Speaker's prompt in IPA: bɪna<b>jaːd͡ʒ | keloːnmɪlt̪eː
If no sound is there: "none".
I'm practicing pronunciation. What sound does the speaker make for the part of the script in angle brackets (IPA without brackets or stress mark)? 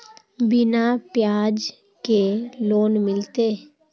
p